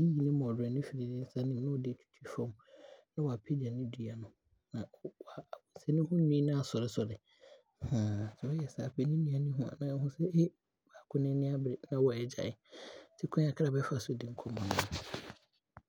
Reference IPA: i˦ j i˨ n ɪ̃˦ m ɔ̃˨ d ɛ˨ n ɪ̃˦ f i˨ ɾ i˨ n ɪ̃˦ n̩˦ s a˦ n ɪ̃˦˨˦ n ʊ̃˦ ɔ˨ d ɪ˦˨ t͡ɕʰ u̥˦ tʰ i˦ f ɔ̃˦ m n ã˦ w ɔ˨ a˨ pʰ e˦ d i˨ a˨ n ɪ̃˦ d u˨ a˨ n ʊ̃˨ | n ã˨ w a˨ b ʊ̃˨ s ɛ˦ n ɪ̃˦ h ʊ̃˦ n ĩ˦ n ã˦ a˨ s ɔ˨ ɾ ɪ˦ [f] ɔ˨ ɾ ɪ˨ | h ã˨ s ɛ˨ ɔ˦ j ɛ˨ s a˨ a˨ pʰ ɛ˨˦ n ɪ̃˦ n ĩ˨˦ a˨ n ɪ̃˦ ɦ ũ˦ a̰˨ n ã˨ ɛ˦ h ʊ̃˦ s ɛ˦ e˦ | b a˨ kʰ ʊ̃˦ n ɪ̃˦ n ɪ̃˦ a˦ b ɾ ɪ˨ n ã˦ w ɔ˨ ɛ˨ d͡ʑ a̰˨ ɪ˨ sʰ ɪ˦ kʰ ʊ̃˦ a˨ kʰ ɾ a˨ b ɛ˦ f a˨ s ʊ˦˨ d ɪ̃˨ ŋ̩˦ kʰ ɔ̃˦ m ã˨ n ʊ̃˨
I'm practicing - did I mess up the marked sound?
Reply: yes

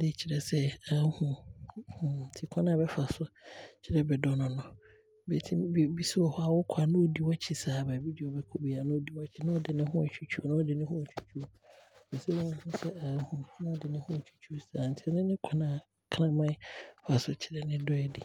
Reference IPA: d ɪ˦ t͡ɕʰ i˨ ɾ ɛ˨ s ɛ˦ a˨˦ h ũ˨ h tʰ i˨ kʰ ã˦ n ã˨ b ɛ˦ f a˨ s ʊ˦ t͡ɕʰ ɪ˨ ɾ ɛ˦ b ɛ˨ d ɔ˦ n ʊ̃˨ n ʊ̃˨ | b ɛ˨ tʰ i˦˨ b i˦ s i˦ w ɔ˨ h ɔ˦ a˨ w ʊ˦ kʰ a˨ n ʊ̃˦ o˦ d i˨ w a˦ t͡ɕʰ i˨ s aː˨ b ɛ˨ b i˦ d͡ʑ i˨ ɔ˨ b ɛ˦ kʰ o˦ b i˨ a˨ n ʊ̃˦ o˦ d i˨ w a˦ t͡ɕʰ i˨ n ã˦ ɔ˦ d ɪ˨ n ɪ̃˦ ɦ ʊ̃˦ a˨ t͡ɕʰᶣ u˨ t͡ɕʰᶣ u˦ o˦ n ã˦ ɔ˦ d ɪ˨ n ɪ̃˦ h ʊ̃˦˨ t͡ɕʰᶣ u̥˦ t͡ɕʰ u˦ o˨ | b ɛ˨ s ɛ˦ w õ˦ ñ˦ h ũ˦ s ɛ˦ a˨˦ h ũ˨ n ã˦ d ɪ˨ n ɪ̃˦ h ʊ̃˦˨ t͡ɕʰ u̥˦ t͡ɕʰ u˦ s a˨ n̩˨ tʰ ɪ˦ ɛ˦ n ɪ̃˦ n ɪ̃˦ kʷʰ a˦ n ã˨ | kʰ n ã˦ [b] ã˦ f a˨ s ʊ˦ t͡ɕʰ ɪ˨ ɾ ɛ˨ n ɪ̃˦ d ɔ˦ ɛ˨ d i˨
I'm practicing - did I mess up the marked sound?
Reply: yes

